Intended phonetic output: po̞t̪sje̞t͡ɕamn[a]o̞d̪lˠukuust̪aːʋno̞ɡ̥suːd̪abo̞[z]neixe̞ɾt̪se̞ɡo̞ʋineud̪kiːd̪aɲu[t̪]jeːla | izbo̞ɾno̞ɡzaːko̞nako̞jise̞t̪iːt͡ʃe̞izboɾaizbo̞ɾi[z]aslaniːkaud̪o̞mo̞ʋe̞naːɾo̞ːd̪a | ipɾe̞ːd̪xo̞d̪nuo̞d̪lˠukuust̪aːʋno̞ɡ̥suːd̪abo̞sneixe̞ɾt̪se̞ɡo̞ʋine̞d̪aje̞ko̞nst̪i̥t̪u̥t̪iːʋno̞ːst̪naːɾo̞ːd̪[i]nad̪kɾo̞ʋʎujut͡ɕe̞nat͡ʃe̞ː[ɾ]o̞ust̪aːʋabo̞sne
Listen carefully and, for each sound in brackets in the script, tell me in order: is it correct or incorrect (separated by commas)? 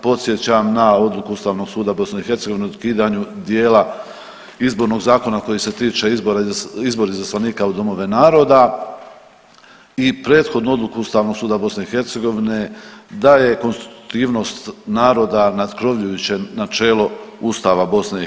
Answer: correct, incorrect, incorrect, correct, incorrect, incorrect